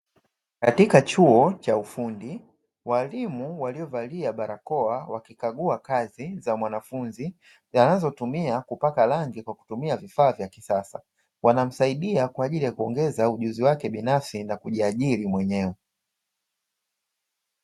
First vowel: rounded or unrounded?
unrounded